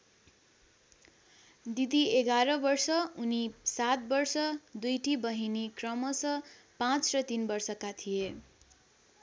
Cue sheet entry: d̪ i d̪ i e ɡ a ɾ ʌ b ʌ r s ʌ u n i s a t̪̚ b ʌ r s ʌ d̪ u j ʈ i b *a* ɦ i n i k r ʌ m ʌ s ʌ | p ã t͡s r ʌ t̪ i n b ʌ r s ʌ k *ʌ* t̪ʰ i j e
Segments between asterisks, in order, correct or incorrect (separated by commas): incorrect, incorrect